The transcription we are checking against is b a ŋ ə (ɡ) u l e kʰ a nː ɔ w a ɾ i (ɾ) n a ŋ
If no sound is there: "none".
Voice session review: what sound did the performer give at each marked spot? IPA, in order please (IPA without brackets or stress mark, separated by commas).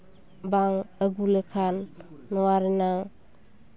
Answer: ɡ, none